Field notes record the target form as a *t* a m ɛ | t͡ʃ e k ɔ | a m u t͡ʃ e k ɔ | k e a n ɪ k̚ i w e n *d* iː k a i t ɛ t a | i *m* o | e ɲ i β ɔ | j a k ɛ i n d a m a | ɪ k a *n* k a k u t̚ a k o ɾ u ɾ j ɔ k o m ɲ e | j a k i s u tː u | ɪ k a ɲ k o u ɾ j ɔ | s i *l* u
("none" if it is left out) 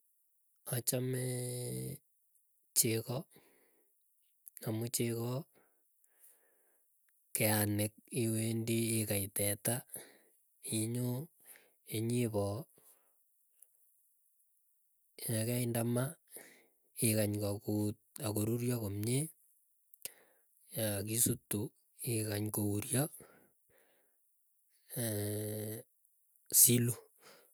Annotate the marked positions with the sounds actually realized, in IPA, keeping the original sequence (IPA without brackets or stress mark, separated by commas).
t͡ʃ, d, ɲ, ɲ, l